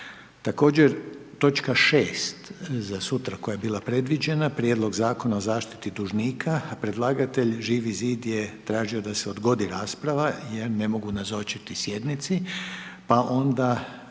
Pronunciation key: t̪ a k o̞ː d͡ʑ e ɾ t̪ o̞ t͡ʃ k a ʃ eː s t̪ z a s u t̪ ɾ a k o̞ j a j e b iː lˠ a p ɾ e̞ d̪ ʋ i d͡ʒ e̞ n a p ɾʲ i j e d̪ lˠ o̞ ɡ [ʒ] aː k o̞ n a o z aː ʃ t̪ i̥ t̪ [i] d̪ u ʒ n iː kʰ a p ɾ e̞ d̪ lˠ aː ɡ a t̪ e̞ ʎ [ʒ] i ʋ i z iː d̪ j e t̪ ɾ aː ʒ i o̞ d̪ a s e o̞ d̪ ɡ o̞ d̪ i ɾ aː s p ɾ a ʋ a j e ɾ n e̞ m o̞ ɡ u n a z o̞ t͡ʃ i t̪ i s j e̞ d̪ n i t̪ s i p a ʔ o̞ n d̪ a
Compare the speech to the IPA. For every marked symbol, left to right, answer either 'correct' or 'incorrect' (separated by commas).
incorrect, correct, correct